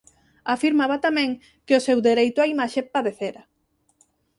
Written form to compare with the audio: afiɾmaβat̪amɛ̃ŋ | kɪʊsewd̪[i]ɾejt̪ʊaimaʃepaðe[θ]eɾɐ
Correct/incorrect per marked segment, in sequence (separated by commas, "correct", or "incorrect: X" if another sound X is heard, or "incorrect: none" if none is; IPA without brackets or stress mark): incorrect: e, correct